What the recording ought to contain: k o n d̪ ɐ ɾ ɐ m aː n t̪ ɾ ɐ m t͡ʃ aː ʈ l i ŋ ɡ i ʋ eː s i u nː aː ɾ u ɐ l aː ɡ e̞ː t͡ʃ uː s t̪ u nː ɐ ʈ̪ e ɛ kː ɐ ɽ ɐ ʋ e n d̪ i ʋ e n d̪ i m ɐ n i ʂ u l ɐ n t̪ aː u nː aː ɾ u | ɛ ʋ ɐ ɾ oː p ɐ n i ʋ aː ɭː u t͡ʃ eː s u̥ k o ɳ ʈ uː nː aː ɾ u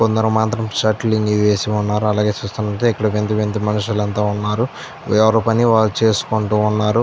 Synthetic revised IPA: k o n d̪ ɐ ɾ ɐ m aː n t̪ ɾ ɐ m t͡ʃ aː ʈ l i ŋ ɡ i ʋ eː s i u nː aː ɾ u ɐ l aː ɡ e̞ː t͡ʃ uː s t̪ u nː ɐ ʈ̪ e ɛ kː ɐ ɽ ɐ ʋ e n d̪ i ʋ e n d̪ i m ɐ n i ʂ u l ɐ n t̪ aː u nː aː ɾ u | ɛ ʋ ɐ ɾ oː p ɐ n i ʋ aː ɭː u t͡ʃ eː s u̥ k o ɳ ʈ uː nː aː ɾ u